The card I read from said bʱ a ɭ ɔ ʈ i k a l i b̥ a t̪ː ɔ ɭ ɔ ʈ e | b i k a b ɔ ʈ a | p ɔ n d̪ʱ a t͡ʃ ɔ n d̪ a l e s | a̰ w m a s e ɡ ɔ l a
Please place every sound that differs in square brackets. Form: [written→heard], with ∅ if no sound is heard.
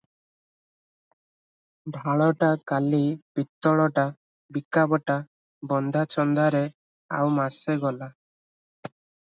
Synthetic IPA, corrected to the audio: bʱ a ɭ ɔ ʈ [i→a] k a l i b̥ [a→i] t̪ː ɔ ɭ ɔ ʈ [e→a] | b i k a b ɔ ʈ a | [p→b] ɔ n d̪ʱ a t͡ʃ ɔ n d̪ a [l→ɾ] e [s→∅] | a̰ w m a s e ɡ ɔ l a